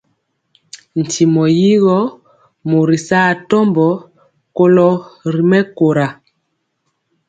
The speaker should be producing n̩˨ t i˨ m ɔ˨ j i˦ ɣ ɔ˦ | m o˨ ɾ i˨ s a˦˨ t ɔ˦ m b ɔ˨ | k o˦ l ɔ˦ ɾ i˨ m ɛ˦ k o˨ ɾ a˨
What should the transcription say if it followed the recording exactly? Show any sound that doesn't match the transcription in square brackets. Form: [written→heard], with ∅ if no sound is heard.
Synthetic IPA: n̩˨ t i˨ m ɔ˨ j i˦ ɣ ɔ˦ | m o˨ ɾ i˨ s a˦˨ t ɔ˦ m b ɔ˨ | k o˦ l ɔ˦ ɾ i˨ m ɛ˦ k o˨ ɾ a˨